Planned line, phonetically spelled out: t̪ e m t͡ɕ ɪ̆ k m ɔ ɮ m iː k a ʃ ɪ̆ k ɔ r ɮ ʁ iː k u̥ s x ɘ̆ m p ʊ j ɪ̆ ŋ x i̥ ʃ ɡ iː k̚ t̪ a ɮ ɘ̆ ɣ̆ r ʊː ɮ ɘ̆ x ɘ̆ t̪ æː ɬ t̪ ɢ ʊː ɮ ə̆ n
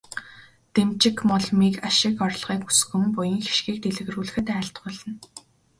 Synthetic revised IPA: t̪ e m t͡ɕ ɪ̆ k m ɔ ɮ m iː k a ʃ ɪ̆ k ɔ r ɮ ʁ iː k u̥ s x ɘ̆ m p ʊ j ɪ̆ ŋ x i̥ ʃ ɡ iː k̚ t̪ e ɮ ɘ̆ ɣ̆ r uː ɮ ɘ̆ x ɘ̆ t̪ æː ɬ t̪ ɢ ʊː ɮ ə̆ n